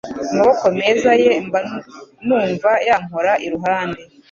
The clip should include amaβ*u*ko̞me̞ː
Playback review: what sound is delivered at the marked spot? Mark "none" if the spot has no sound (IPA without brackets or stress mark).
o